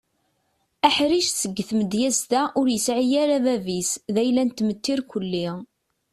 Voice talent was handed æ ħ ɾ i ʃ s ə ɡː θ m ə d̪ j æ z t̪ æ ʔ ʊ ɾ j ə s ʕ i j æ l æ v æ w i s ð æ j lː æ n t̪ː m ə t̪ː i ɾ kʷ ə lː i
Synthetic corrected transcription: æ ħ ɾ i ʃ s ə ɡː θ m ə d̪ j æ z t̪ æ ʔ ʊ ɾ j ə s ʕ i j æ ɾ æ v æ v i s ð æ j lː æ n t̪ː m ə t̪ː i ɾ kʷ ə lː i